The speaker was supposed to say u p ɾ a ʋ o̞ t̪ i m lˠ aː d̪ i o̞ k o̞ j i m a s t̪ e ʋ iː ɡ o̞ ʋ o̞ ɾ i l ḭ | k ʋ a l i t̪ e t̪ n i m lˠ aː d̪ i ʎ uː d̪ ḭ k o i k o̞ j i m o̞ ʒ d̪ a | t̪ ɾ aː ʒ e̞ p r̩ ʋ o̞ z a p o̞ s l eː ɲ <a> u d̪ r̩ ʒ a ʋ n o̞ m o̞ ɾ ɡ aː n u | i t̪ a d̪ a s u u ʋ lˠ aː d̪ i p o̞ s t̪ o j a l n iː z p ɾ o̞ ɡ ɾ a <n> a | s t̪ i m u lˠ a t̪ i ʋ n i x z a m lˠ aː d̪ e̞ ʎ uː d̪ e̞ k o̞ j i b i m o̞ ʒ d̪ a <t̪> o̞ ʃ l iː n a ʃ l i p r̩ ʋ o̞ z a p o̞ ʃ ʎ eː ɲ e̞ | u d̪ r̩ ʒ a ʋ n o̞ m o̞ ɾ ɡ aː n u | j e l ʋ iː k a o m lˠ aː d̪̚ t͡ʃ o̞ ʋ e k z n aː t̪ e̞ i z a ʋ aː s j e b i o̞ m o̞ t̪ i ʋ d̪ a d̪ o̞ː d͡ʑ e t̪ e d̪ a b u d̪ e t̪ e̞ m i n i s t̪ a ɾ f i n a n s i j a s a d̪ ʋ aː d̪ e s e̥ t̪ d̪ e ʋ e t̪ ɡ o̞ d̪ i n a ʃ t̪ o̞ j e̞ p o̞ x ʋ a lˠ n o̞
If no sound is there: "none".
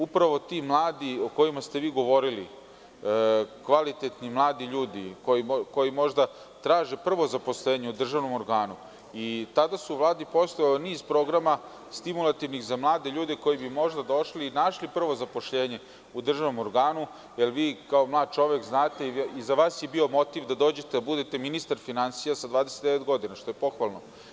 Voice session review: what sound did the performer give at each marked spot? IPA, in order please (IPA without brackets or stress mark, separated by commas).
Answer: e, m, d̪